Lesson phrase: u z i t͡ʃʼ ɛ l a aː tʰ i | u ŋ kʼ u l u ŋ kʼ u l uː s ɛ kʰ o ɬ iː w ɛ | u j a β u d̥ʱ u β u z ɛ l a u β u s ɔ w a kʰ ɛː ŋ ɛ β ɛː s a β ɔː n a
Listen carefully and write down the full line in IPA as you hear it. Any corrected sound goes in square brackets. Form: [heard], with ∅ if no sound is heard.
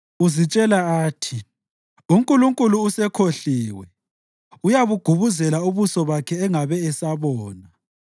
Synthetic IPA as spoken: u z i t͡ʃʼ ɛ l a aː tʰ i | u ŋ kʼ u l u ŋ kʼ u l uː s ɛ kʰ o ɬ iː w ɛ | u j a β u [ɡ̥ʱ] u β u z ɛ l a u β u s ɔ [β] a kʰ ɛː ŋ [a] β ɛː s a β ɔː n a